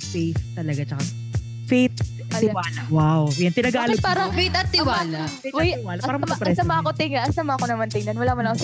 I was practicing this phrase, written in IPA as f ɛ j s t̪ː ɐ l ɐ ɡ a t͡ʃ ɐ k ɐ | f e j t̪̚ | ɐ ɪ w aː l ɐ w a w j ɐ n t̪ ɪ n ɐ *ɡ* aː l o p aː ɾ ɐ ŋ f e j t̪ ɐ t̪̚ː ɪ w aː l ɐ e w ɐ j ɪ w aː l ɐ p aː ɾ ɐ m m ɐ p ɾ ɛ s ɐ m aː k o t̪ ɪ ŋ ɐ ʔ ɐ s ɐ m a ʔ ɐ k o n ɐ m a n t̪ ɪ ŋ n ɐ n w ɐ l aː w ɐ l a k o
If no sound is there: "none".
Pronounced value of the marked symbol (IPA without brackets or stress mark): ɡ